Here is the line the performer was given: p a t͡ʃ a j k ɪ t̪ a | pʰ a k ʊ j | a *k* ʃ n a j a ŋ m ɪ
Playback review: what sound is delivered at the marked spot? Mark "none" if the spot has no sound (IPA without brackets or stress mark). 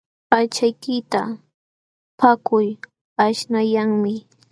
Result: none